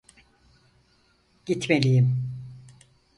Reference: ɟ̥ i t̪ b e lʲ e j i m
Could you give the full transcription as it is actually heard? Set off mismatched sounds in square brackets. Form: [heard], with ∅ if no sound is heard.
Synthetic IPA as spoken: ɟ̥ i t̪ [m] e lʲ [i] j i m

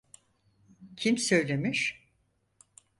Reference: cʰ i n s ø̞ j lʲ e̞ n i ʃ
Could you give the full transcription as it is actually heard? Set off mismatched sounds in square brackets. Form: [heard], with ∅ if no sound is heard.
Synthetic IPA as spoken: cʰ i [m] s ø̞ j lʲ e̞ [m] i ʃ

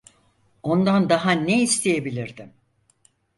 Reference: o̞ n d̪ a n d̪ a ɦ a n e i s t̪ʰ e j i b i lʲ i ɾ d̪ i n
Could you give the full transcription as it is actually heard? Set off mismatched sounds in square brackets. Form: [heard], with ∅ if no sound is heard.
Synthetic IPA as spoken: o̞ n d̪ a n d̪ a ɦ a n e i s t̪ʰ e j [e] b i lʲ i ɾ d̪ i [m]

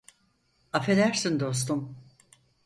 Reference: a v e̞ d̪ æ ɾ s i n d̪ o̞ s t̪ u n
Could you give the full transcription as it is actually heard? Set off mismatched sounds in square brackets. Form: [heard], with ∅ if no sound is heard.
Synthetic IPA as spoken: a [f] e̞ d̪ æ ɾ s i n d̪ o̞ s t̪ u [m]

